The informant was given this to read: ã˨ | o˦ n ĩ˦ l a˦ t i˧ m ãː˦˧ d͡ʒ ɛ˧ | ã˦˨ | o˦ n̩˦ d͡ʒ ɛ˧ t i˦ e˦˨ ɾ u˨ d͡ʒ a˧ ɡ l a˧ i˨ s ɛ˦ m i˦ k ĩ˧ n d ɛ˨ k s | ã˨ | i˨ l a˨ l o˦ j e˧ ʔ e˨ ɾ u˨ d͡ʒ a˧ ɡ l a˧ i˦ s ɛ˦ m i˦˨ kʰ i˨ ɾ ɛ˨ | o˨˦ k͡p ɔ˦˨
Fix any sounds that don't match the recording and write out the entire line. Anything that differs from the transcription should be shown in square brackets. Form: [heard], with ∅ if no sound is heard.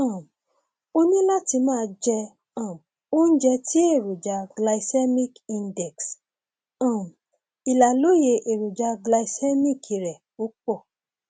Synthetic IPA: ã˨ | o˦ n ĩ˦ l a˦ t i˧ m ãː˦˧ d͡ʒ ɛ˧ | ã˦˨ | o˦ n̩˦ d͡ʒ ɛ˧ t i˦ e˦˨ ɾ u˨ d͡ʒ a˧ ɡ l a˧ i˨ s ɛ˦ m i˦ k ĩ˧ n d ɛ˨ k s | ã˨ | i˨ l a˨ l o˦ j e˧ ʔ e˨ ɾ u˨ d͡ʒ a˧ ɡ l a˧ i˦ s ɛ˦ m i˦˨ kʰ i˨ ɾ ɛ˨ | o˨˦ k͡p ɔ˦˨